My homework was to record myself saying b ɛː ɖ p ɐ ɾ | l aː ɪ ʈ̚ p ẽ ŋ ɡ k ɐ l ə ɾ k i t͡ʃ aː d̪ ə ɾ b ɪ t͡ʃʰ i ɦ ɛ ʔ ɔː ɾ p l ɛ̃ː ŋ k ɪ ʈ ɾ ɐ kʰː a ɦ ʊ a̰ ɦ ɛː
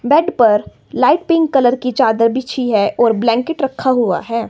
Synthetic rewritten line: b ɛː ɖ p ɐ ɾ | l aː ɪ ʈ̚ p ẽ ŋ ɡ k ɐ l ə ɾ k i t͡ʃ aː d̪ ə ɾ b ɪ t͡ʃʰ i ɦ ɛ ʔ ɔː ɾ b l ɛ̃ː ŋ k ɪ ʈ ɾ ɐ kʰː a ɦ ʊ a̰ ɦ ɛː